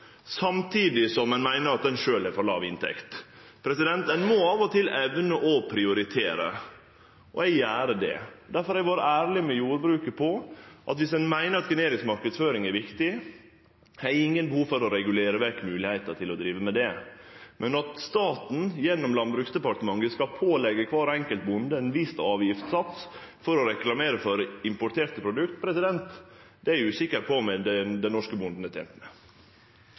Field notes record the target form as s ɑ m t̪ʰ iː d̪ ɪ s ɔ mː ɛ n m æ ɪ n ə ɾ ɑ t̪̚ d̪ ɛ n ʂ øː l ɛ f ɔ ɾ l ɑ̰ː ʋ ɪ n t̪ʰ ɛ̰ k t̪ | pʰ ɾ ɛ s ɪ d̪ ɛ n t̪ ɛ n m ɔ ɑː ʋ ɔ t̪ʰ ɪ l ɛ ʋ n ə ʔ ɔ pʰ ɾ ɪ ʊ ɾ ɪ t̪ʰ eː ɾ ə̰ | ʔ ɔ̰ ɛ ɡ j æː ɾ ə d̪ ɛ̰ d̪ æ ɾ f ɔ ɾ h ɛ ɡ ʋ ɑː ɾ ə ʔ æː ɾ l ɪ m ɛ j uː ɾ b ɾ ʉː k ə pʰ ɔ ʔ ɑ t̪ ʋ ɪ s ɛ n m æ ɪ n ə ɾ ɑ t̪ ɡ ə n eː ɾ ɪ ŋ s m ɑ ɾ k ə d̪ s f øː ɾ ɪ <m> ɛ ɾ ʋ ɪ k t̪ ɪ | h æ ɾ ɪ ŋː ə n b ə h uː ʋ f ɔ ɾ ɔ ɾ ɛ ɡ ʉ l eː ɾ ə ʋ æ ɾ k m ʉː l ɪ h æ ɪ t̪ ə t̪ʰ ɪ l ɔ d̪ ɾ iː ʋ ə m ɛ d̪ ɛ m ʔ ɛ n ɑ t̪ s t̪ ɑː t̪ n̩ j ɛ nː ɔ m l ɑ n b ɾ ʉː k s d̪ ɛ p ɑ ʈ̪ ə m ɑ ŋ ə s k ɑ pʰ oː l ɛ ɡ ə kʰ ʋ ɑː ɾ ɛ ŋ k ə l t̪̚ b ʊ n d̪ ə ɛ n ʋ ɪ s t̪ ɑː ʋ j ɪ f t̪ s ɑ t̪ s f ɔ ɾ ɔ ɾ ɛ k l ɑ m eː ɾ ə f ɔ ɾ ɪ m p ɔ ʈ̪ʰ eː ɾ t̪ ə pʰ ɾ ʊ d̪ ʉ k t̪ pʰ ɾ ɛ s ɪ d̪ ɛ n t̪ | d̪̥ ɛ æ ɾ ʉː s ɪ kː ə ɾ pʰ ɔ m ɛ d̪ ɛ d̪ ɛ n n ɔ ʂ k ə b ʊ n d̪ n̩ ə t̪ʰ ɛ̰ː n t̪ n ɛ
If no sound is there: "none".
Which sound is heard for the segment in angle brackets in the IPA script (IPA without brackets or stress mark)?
ŋ